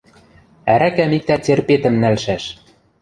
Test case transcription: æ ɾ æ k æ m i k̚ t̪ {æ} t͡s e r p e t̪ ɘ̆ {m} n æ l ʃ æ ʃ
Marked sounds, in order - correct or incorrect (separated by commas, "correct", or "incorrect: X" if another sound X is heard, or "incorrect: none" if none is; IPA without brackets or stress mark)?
correct, correct